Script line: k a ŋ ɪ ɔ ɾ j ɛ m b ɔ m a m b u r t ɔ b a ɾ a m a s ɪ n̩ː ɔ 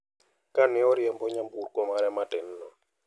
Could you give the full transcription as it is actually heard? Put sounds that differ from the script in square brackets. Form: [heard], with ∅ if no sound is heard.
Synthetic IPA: k a [n] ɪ ɔ ɾ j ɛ m b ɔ [ɲ] a m b u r [k] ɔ [m] a ɾ [ɛ] m a [t] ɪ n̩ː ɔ